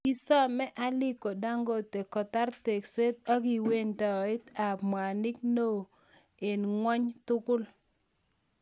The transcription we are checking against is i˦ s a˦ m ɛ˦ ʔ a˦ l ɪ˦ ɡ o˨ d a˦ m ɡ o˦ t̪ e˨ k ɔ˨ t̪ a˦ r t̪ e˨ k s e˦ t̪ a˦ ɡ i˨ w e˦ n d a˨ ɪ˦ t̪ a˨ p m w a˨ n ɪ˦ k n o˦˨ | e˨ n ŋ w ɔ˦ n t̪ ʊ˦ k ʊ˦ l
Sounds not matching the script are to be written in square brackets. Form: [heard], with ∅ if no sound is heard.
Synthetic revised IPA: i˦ s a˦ m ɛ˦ ʔ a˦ l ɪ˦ [k] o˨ d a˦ [ŋ] ɡ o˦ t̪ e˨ k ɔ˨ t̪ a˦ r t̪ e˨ k s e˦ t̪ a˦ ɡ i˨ w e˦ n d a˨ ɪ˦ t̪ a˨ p m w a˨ n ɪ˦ k n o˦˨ | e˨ n ŋ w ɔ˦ [ɲ] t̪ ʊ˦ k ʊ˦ l